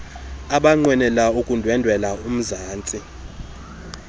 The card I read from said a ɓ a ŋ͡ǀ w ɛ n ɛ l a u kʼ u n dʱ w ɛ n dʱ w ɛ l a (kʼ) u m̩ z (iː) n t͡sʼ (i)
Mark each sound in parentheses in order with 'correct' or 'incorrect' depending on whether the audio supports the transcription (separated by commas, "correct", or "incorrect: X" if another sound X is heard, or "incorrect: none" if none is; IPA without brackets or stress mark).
incorrect: none, incorrect: aː, correct